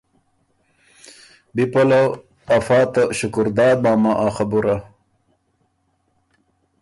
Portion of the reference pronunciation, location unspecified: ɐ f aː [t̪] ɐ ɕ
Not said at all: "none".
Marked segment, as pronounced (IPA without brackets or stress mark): t̪